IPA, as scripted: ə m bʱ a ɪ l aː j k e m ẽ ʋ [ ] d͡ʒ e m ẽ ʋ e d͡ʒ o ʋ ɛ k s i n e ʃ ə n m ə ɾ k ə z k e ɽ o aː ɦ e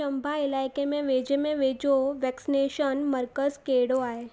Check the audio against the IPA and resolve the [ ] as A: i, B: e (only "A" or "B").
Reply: B